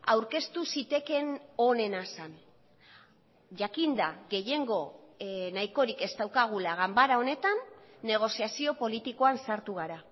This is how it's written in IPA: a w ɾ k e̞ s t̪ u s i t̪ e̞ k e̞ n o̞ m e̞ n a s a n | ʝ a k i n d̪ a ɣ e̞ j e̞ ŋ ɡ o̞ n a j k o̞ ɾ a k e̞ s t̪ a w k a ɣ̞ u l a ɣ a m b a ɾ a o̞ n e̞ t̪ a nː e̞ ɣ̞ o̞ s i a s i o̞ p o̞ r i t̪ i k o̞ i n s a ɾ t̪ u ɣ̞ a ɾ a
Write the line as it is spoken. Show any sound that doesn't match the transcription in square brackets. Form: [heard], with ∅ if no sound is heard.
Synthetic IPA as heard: a w ɾ k e̞ s t̪ u s i t̪ e̞ k e̞ n o̞ [n] e̞ n a s a n | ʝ a k i n d̪ a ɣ e̞ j e̞ ŋ ɡ o̞ n a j k o̞ ɾ [i] k e̞ s t̪ a w k a ɣ̞ u l a ɣ a m b a ɾ a o̞ n e̞ t̪ a nː e̞ ɣ̞ o̞ s i a s i o̞ p o̞ [l] i t̪ i k o̞ [a] n s a ɾ t̪ u ɣ̞ a ɾ a